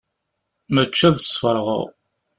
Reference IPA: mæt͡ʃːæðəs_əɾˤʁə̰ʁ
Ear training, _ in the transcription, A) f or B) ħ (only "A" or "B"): A